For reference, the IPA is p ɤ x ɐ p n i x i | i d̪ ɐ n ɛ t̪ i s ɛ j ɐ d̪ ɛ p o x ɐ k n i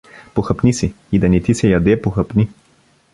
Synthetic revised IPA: p o x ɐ p n i s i | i d̪ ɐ n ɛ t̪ i s ɛ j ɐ d̪ ɛ p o x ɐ p n i